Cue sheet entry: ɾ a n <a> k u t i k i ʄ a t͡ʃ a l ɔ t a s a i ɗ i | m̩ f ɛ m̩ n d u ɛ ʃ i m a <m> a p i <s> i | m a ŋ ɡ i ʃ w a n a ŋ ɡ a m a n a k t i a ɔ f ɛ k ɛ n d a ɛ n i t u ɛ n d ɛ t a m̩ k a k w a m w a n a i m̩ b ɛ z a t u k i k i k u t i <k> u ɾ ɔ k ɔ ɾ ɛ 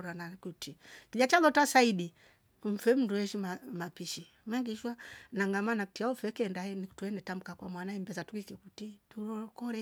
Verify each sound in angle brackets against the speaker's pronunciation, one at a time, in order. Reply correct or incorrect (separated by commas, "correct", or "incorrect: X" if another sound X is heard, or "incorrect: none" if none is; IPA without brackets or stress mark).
correct, correct, incorrect: ʃ, incorrect: t